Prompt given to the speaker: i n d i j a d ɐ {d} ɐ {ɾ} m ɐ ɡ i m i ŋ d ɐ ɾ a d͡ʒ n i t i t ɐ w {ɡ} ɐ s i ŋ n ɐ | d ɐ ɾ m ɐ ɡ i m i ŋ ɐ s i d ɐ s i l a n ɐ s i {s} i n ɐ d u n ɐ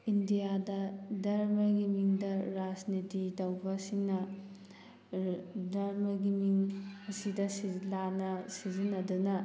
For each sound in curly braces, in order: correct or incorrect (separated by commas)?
correct, correct, incorrect, incorrect